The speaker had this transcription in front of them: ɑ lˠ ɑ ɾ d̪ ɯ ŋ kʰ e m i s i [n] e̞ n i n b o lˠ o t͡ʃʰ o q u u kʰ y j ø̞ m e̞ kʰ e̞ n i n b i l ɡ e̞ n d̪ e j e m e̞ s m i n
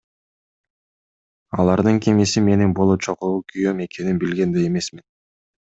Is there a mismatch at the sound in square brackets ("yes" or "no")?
yes